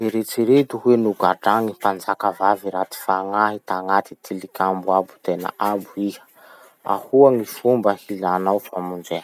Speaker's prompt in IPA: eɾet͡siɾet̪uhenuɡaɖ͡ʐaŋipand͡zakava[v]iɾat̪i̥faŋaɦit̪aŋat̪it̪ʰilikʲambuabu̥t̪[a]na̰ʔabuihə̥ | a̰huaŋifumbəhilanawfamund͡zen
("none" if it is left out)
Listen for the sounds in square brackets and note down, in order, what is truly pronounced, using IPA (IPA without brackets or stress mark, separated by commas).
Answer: v, e